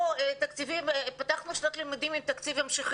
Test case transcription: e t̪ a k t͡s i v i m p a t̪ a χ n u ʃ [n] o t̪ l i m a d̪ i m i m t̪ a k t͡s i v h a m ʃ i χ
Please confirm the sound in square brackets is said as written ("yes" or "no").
yes